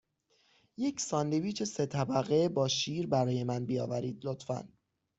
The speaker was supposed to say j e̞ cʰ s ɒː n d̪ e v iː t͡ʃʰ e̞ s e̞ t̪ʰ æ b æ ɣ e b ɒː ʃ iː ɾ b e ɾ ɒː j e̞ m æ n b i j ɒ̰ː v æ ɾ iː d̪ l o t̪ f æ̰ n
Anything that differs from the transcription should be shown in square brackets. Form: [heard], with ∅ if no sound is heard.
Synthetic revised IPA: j e̞ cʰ s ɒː n d̪ e v iː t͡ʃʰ e̞ s e̞ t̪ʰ æ b æ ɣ e b ɒː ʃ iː ɾ b [æ] ɾ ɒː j e̞ m æ n b i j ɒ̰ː v æ ɾ iː d̪ l o t̪ f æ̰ n